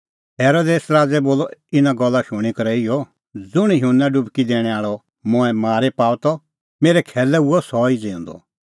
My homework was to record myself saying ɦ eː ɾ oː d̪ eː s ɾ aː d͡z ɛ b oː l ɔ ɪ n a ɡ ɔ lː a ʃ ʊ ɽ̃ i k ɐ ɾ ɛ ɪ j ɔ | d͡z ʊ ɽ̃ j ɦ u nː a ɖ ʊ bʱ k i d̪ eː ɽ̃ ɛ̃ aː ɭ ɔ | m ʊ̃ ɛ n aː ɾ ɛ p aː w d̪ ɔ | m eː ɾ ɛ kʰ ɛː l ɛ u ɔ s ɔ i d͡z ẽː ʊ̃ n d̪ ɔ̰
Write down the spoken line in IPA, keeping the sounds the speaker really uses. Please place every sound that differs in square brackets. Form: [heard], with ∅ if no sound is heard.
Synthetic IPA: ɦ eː ɾ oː d̪ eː s ɾ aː d͡z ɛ b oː l ɔ ɪ n a ɡ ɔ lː a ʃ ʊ ɽ̃ i k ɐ ɾ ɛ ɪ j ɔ | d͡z ʊ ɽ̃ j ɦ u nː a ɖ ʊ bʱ k i d̪ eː ɽ̃ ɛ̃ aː ɭ ɔ | m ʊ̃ ɛ [m] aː ɾ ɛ p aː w [t̪] ɔ | m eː ɾ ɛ kʰ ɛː l ɛ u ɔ s ɔ i d͡z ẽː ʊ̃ n d̪ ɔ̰

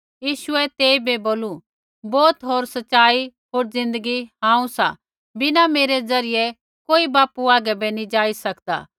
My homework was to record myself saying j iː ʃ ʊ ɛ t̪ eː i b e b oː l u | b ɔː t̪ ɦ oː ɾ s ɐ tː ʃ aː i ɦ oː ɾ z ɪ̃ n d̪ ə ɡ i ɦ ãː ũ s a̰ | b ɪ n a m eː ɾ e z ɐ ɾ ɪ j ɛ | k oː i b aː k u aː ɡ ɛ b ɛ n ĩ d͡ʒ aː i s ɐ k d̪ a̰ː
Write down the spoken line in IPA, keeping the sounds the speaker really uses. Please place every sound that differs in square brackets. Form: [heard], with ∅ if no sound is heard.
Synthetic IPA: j iː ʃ ʊ ɛ t̪ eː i b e b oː l u | b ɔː t̪ ɦ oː ɾ s ɐ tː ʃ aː i ɦ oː ɾ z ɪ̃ n d̪ ə ɡ i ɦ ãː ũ s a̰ | b ɪ n a m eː ɾ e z ɐ ɾ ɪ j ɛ | k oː i b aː [p] u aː ɡ ɛ b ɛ n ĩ d͡ʒ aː i s ɐ k d̪ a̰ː

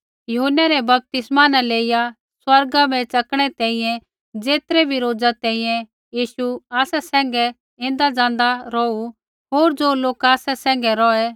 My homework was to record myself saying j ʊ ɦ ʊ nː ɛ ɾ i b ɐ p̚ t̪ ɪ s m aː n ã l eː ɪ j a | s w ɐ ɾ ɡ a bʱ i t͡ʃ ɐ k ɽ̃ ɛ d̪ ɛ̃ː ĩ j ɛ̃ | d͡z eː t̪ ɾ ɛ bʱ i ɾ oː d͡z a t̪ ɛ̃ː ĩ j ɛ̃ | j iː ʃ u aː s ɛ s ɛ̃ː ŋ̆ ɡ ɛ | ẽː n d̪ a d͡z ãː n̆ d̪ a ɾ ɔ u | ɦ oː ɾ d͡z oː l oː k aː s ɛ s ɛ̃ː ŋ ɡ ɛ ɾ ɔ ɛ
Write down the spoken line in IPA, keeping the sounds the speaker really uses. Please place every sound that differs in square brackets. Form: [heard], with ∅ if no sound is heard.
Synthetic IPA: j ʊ ɦ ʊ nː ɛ ɾ [ɛ] b ɐ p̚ t̪ ɪ s m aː n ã l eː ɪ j a | s w ɐ ɾ ɡ a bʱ [ɛ] t͡ʃ ɐ k ɽ̃ ɛ [t̪] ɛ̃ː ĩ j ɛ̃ | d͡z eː t̪ ɾ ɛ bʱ i ɾ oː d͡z a t̪ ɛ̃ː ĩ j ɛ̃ | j iː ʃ u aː s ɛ s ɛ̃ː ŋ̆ ɡ ɛ | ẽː n d̪ a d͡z ãː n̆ d̪ a ɾ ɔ u | ɦ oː ɾ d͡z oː l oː k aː s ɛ s ɛ̃ː ŋ ɡ ɛ ɾ ɔ ɛ

